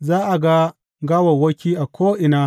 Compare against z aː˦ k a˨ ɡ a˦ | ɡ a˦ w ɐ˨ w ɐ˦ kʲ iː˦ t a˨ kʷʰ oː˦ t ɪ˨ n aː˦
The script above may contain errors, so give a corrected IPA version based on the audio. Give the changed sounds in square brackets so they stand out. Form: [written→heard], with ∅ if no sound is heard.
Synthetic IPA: z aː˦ [k→ʔ] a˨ ɡ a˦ | ɡ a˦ w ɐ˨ w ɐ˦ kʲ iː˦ [t→ʔ] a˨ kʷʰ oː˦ [t→ʔ] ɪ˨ n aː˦